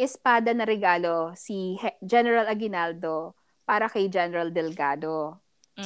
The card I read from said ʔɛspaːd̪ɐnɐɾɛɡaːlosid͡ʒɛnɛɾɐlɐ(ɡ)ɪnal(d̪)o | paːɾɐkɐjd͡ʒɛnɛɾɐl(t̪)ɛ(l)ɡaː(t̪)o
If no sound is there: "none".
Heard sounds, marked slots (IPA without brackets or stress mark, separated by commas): ɡ, d̪, d̪, l, d̪